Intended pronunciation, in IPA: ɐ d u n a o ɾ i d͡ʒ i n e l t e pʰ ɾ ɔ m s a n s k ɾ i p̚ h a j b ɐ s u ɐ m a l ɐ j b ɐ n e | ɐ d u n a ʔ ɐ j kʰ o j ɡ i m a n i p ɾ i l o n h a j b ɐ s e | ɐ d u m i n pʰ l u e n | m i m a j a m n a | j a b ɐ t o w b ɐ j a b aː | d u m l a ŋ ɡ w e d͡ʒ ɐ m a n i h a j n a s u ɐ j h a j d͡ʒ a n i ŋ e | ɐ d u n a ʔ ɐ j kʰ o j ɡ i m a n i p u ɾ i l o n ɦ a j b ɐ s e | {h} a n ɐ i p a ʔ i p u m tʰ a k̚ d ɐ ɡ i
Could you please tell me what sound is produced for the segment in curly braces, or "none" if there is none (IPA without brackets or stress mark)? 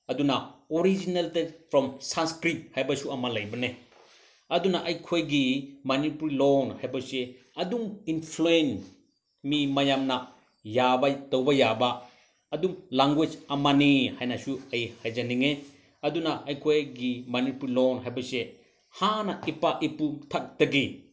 h